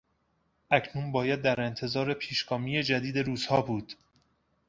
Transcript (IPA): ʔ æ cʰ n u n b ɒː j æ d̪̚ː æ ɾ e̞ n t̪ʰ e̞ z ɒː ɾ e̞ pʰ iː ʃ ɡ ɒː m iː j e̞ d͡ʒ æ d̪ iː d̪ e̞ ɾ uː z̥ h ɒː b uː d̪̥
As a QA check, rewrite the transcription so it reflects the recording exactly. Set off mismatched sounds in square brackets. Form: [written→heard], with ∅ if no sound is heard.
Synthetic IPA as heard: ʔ æ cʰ n u n b ɒː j æ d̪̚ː æ ɾ e̞ n t̪ʰ e̞ z ɒː ɾ e̞ pʰ iː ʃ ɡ ɒː m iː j e̞ d͡ʒ æ d̪ iː d̪ e̞ ɾ uː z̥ h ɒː b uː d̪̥

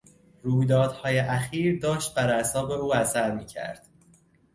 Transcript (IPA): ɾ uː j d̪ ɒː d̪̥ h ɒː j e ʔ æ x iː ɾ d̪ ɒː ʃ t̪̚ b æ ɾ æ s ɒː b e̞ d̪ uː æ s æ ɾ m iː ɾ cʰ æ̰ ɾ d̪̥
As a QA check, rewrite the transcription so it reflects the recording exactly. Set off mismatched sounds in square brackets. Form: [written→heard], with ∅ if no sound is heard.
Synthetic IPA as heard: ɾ uː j d̪ ɒː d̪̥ h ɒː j e ʔ æ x iː ɾ d̪ ɒː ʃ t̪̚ b æ ɾ æ s ɒː b e̞ [d̪→∅] uː æ s æ ɾ m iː [ɾ→∅] cʰ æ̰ ɾ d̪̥

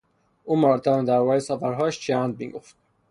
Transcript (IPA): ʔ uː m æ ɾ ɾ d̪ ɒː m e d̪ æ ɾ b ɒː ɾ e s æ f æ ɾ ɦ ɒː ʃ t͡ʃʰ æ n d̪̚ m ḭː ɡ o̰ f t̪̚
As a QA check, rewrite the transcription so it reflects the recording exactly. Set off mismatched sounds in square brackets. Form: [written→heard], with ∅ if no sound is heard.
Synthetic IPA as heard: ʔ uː m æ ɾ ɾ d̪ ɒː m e d̪ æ ɾ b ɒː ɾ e s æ f æ ɾ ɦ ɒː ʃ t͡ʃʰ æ n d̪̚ m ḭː ɡ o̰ f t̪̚

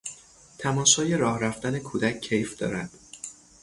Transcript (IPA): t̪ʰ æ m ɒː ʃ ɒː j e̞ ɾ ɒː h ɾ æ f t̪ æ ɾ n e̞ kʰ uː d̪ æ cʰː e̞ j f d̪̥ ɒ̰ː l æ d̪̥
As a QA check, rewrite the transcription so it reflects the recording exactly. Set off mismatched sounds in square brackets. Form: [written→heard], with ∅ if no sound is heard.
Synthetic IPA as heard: t̪ʰ æ m ɒː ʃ ɒː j e̞ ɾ ɒː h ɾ æ f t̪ æ [ɾ→∅] n e̞ kʰ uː d̪ æ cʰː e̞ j f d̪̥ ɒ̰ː [l→ɾ] æ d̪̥

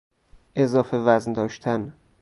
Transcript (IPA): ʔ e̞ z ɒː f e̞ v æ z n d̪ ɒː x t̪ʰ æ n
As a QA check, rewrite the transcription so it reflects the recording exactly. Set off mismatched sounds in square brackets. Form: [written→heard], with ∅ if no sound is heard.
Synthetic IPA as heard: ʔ e̞ z ɒː f e̞ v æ z n d̪ ɒː [x→ʃ] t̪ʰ æ n

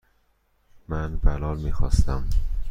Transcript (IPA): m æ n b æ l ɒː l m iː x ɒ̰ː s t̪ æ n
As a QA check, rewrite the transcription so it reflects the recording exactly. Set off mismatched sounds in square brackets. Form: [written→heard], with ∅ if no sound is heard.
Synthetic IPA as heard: m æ n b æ l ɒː l m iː x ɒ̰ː s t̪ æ [n→m]

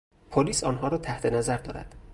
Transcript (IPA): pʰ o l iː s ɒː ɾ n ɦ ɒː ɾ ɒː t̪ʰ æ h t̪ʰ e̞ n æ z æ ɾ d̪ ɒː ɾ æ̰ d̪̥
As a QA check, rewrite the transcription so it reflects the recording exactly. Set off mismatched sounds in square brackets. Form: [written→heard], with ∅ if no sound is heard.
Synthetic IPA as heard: pʰ o l iː s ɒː [ɾ→∅] n ɦ ɒː ɾ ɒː t̪ʰ æ h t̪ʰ e̞ n æ z æ ɾ d̪ ɒː ɾ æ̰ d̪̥

